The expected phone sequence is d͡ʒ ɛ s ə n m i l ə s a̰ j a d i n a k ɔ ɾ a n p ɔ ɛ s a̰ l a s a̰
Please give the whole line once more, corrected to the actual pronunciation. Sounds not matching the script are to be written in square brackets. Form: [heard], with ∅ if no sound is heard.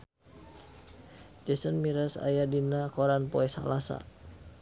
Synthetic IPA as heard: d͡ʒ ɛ s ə n m i [ɾ] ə s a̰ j a d i n a k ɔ ɾ a n p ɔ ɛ s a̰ l a s a̰